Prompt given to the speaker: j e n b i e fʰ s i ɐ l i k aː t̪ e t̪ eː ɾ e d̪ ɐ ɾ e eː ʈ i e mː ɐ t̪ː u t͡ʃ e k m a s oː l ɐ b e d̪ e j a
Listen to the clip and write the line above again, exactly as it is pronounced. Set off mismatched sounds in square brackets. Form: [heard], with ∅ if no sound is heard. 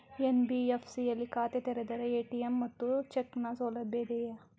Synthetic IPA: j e n b i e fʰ s i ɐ l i k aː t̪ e t̪ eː ɾ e d̪ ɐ ɾ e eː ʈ i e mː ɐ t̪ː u t͡ʃ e k [n] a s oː l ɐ b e d̪ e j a